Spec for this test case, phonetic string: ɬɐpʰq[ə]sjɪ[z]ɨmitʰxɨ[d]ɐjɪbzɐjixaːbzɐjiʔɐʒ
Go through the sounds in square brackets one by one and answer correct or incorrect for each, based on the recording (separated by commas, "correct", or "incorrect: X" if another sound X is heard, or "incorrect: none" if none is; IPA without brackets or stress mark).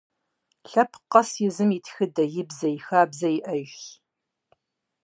incorrect: ɐ, correct, correct